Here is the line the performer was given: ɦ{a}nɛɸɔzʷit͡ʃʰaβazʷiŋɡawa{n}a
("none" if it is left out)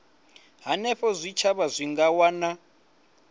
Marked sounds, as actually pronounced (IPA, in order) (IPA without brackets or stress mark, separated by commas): a, n